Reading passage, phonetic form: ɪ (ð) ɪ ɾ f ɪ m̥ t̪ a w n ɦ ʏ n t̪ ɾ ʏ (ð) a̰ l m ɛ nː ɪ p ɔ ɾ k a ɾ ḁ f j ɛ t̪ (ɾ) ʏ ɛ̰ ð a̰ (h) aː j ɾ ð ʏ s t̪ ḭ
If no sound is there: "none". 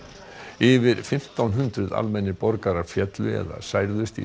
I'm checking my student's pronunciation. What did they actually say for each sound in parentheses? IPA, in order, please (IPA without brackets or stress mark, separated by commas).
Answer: v, ð, l, s